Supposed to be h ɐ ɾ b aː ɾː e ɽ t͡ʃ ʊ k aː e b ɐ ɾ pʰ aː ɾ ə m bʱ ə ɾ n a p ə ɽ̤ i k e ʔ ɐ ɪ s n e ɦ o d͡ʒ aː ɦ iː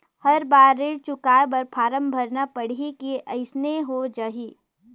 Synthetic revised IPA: h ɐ ɾ b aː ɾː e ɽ t͡ʃ ʊ k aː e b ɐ ɾ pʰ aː ɾ ə m bʱ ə ɾ n a p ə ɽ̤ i k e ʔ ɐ ɪ s n e ɦ o d͡ʒ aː ɦ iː